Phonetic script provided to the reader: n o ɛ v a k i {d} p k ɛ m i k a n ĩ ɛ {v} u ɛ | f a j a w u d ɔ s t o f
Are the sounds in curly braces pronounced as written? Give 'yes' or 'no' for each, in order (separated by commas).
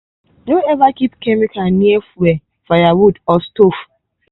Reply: no, no